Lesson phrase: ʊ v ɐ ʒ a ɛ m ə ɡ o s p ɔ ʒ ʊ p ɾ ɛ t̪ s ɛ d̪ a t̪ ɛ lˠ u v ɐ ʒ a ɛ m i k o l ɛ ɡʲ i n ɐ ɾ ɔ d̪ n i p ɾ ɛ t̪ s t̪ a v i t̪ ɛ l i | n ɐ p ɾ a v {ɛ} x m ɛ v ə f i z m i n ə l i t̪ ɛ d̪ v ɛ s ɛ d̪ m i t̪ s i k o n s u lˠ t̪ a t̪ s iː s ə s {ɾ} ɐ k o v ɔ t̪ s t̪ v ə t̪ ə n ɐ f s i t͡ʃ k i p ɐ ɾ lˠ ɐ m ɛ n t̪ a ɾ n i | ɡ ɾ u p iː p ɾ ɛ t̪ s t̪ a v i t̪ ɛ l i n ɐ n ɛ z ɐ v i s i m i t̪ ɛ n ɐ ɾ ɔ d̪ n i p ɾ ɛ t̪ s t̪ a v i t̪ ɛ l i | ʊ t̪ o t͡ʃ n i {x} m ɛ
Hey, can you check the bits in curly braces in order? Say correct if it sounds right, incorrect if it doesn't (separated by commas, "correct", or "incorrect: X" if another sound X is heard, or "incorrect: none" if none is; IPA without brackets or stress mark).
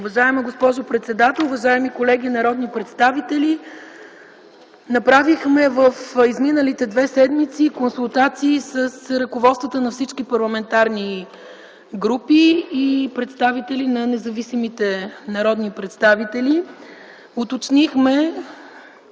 incorrect: i, correct, correct